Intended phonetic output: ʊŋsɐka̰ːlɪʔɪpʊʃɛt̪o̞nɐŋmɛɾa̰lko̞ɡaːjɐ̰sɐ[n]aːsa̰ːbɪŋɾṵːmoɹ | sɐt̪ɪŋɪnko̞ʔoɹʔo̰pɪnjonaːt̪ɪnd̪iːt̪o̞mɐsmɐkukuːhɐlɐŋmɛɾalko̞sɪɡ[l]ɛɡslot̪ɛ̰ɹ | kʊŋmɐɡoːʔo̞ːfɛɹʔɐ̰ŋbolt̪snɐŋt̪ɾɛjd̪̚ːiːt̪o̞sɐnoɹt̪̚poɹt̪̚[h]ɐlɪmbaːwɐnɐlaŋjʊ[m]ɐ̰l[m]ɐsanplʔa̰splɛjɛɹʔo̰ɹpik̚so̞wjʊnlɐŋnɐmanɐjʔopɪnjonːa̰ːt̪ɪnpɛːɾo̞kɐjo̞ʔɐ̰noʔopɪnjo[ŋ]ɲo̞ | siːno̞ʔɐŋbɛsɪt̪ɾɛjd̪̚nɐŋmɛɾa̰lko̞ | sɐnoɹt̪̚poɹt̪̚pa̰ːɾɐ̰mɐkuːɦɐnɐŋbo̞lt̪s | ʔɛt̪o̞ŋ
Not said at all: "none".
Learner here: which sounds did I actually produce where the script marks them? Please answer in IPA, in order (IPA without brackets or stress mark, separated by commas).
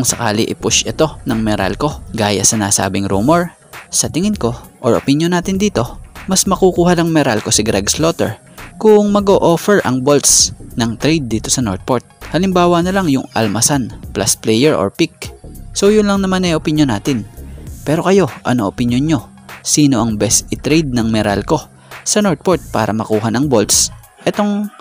n, ɾ, h, ŋ, m, n